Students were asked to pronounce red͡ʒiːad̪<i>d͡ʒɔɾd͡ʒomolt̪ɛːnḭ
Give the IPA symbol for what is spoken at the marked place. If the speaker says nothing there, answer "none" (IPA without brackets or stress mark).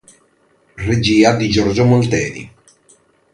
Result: i